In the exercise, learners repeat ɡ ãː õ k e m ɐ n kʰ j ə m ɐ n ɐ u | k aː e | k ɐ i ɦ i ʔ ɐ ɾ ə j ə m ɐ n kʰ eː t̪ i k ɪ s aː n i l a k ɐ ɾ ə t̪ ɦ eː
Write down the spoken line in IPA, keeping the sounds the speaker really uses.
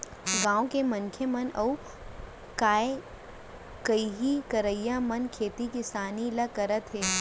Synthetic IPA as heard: ɡ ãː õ k e m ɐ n kʰ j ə m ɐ n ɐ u | k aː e | k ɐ i ɦ i k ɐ ɾ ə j a m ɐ n kʰ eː t̪ i k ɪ s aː n i l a k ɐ ɾ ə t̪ ɦ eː

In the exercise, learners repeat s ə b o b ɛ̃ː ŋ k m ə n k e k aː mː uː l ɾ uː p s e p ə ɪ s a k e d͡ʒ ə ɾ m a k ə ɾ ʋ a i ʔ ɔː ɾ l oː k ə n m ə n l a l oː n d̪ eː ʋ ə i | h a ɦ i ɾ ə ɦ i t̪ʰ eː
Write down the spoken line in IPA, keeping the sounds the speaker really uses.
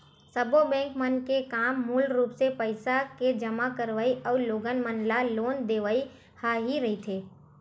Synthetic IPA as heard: s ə b o b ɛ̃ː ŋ k m ə n k e k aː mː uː l ɾ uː p s e p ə ɪ s a k e d͡ʒ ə m a k ə ɾ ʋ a i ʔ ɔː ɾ l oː ɡ ə n m ə n l a l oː n d̪ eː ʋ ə i | h a ɦ i ɾ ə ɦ i t̪ʰ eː

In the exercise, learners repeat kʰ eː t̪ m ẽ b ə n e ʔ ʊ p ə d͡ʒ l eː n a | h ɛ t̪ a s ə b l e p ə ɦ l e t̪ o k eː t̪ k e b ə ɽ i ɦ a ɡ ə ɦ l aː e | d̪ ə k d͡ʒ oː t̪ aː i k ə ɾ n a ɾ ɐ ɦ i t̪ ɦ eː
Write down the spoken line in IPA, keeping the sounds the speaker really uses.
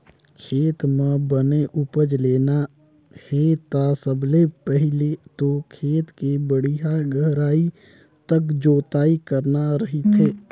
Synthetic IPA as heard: kʰ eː t̪ m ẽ b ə n e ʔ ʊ p ə d͡ʒ l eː n a | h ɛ t̪ a s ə b l e p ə ɦ l e t̪ o kʰ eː t̪ k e b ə ɽ i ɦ a ɡ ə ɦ ɾ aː i | t̪ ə k d͡ʒ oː t̪ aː i k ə ɾ n a ɾ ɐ ɦ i t̪ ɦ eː

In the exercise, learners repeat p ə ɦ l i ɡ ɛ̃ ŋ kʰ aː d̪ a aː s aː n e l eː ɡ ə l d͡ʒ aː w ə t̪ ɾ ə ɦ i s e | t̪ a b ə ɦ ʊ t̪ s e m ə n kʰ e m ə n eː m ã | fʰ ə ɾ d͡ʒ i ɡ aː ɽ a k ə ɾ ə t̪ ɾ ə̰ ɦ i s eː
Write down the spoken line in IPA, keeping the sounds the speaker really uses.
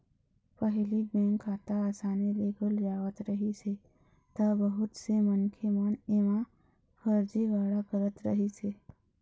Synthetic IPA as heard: p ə ɦ l i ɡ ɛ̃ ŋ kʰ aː t̪ a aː s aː n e l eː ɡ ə l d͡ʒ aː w ə t̪ ɾ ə ɦ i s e | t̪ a b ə ɦ ʊ t̪ s e m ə n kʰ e m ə n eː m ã | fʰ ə ɾ d͡ʒ i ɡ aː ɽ a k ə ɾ ə t̪ ɾ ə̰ ɦ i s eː

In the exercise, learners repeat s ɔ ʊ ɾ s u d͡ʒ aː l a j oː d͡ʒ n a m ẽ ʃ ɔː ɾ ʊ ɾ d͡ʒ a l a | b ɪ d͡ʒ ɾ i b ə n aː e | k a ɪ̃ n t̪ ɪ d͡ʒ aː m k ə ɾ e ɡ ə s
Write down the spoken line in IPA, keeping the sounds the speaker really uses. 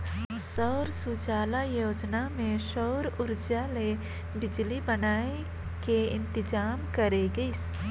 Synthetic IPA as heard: s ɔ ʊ ɾ s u d͡ʒ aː l a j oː d͡ʒ n a m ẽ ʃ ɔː ɾ ʊ ɾ d͡ʒ a l e | b ɪ d͡ʒ l i b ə n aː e | k e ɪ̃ n t̪ ɪ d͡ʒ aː m k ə ɾ e ɡ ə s

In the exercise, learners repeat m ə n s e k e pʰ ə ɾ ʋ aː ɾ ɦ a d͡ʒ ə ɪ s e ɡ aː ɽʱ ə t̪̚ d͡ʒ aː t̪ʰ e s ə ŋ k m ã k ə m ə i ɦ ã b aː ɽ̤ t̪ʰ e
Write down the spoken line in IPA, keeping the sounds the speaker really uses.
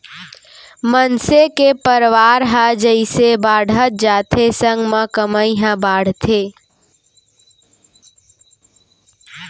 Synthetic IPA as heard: m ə n s e k e p ə ɾ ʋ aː ɾ ɦ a d͡ʒ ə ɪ s e b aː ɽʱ ə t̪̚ d͡ʒ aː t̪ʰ e s ə ŋ ɡ m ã k ə m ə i ɦ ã b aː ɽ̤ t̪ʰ e

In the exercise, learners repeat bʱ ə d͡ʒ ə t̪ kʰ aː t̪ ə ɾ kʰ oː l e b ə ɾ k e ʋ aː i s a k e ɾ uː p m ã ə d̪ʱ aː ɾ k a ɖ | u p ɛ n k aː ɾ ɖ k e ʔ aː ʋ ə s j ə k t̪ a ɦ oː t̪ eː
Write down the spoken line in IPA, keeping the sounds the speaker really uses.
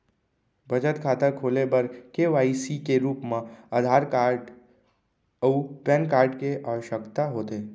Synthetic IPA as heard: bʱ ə d͡ʒ ə t̪ kʰ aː t̪ ə ɾ kʰ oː l e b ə ɾ k e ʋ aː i s i k e ɾ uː p m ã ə d̪ʱ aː ɾ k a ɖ | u p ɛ n k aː ɾ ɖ k e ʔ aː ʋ ə ʃ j ə k t̪ a ɦ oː t̪ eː

